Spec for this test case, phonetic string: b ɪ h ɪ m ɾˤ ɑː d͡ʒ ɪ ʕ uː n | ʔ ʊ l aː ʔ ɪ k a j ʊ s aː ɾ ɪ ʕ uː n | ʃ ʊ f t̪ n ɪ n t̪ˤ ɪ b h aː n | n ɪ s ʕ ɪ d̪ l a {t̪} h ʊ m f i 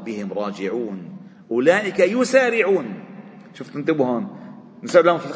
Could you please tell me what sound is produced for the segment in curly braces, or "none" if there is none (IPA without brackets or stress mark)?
none